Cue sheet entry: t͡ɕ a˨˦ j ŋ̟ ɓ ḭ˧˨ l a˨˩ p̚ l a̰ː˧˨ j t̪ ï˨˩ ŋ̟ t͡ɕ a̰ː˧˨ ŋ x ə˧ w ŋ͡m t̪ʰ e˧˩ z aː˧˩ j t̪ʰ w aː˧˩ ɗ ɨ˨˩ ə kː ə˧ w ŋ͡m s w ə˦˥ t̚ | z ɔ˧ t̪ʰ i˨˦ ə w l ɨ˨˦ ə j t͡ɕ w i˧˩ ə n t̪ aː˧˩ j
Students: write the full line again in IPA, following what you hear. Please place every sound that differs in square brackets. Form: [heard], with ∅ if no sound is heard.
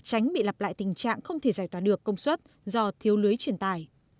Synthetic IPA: t͡ɕ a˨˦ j ŋ̟ ɓ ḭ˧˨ l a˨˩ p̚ l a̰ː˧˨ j t̪ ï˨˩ ŋ̟ t͡ɕ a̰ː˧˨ ŋ x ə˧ w ŋ͡m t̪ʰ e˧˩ z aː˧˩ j [t̪] w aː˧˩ ɗ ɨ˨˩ ə kː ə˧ w ŋ͡m s w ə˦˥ t̚ | z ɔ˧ t̪ʰ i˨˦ ə w l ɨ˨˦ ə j t͡ɕ w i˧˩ ə n t̪ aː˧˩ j

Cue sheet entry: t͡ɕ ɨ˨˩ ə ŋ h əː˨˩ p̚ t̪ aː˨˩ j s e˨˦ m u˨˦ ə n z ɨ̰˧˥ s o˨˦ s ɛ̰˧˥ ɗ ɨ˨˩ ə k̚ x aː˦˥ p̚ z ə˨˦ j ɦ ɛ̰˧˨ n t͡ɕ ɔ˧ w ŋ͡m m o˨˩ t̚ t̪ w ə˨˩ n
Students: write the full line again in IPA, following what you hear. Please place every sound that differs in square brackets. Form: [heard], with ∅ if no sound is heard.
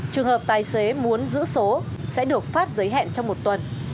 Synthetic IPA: t͡ɕ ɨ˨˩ ə ŋ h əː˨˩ p̚ t̪ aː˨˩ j s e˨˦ m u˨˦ ə n z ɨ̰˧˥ s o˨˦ s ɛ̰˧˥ ɗ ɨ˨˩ ə k̚ [f] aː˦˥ [t̚] z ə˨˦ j ɦ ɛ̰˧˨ n t͡ɕ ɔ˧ w ŋ͡m m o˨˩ t̚ t̪ w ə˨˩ n

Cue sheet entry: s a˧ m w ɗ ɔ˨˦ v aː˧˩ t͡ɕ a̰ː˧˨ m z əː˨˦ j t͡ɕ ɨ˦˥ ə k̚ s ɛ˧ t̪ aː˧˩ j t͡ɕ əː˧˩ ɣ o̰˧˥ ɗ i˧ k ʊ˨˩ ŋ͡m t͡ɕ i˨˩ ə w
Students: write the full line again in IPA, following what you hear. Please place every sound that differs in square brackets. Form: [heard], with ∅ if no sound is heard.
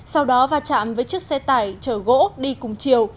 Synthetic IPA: s a˧ [∅] w ɗ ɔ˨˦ v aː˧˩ t͡ɕ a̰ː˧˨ m [v] əː˨˦ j t͡ɕ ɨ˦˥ ə k̚ s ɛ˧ t̪ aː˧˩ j t͡ɕ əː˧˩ ɣ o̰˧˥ ɗ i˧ k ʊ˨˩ ŋ͡m t͡ɕ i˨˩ ə w

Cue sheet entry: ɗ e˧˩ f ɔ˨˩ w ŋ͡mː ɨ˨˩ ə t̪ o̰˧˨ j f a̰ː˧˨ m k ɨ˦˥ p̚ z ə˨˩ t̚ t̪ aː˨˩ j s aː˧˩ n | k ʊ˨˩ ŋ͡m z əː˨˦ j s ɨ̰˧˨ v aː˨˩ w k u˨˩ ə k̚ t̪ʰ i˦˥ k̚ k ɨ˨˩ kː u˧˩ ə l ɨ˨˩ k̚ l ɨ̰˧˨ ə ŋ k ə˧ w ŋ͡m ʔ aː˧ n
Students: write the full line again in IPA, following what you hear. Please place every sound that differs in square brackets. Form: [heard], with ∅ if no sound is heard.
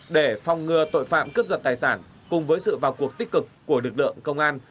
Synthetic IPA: ɗ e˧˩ f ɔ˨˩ w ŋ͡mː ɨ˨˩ ə t̪ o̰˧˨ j f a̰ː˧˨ m k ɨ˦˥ p̚ z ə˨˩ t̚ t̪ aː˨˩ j s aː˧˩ n | k ʊ˨˩ ŋ͡m [v] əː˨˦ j s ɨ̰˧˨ v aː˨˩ w k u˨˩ ə k̚ [t̪] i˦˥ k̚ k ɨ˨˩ kː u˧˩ ə l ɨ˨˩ k̚ l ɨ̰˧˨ ə ŋ k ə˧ w ŋ͡m ʔ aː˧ n

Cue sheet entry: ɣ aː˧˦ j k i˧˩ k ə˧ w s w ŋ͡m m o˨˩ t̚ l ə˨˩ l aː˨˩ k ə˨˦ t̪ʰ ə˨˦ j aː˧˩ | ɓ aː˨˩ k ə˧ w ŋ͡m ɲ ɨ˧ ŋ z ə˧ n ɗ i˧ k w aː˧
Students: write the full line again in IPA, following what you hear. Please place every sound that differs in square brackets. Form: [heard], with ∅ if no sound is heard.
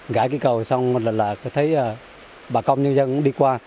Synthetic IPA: ɣ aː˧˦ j k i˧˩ k [ə˨˩] w s w ŋ͡m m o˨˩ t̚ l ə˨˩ l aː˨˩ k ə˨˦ t̪ʰ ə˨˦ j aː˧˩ | ɓ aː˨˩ k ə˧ w ŋ͡m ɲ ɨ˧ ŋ z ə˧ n ɗ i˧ k w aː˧

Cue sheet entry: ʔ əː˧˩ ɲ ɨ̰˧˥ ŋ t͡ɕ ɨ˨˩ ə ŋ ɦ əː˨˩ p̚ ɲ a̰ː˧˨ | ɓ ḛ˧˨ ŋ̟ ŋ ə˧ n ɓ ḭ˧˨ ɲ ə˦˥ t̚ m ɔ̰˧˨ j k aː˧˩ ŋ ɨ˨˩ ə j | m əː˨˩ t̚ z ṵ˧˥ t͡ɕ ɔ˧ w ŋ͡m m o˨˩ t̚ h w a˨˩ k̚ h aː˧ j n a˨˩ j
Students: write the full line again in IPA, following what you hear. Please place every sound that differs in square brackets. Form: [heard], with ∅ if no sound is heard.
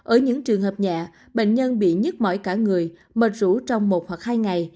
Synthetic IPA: ʔ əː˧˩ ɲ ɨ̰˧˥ ŋ t͡ɕ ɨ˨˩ ə ŋ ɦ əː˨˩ p̚ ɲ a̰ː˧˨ | ɓ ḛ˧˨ ŋ̟ [ɲ] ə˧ n ɓ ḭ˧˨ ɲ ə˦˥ t̚ m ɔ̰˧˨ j k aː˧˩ ŋ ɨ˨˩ ə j | m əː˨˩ t̚ z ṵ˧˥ t͡ɕ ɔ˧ w ŋ͡m m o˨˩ t̚ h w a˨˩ k̚ h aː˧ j [ŋ] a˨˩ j

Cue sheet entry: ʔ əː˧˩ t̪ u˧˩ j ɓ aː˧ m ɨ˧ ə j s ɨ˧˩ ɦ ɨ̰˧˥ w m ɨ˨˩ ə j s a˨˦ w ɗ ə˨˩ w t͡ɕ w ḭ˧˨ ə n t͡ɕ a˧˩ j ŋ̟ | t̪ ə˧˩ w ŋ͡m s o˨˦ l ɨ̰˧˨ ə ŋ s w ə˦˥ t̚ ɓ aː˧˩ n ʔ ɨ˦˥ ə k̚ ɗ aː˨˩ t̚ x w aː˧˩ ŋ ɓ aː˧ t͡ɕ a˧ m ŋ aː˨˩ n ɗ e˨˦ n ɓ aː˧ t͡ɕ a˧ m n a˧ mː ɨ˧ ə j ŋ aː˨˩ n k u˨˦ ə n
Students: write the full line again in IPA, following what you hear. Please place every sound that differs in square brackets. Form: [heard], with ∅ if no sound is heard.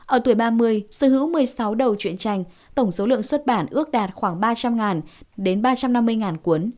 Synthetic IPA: ʔ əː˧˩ t̪ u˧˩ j ɓ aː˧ m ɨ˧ ə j s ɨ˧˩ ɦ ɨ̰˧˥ w m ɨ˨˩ ə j s a˨˦ w ɗ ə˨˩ w t͡ɕ w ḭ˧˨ ə n t͡ɕ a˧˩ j ŋ̟ | t̪ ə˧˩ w ŋ͡m s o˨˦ l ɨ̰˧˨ ə ŋ s w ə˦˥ t̚ ɓ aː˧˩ n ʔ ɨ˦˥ ə k̚ ɗ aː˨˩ t̚ x w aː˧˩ ŋ ɓ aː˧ t͡ɕ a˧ m ŋ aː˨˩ n ɗ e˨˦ n ɓ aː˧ t͡ɕ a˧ m n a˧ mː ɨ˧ ə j ŋ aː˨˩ n k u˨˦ ə n

